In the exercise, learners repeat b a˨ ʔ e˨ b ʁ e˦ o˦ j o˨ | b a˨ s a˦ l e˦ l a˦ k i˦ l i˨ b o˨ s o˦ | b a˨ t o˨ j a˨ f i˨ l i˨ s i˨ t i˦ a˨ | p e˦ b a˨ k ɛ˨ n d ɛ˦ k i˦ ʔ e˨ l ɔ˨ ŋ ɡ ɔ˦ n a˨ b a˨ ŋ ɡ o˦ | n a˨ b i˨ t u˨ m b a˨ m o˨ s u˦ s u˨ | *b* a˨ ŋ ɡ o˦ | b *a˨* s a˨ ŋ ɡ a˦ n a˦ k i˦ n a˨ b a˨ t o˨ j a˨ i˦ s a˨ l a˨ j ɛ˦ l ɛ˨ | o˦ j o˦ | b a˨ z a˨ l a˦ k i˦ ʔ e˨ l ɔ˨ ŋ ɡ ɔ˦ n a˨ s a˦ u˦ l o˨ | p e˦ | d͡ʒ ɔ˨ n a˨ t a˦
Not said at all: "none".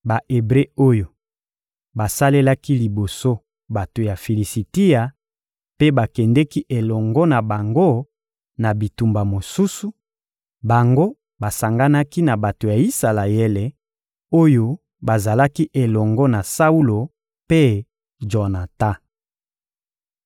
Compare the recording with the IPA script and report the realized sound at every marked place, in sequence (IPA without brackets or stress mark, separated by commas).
b, a˨